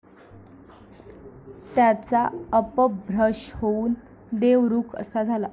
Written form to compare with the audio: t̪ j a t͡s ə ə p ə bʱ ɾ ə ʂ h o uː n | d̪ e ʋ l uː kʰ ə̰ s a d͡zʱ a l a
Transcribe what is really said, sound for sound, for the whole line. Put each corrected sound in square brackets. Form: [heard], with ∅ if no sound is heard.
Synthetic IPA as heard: t̪ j a t͡s [a] ə p ə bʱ ɾ ə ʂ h o uː n | d̪ e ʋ [ɾ] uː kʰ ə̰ s a d͡zʱ a l a